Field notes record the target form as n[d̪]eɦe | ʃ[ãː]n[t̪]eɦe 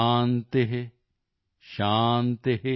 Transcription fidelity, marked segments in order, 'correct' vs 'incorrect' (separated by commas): incorrect, incorrect, correct